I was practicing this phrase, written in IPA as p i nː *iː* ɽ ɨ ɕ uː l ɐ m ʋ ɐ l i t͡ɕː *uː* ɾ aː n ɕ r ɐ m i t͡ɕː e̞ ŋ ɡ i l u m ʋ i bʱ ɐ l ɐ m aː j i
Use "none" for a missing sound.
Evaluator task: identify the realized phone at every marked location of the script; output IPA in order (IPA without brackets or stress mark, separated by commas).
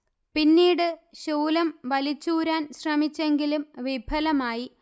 iː, uː